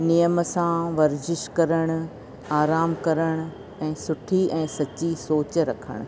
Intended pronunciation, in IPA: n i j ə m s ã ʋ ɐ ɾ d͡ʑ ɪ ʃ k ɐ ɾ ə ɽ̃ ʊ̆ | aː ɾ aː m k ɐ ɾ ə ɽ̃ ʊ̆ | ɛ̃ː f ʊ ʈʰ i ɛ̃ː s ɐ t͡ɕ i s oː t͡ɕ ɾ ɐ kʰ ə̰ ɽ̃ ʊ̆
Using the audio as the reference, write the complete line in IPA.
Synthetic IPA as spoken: n i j ə m s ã ʋ ɐ ɾ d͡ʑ ɪ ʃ k ɐ ɾ ə ɽ̃ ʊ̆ | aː ɾ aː m k ɐ ɾ ə ɽ̃ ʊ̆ | ɛ̃ː s ʊ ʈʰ i ɛ̃ː s ɐ t͡ɕ i s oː t͡ɕ ɾ ɐ kʰ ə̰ ɽ̃ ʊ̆